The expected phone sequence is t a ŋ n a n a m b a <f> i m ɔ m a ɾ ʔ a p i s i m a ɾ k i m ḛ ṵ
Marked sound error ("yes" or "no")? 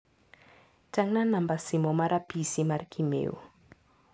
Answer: yes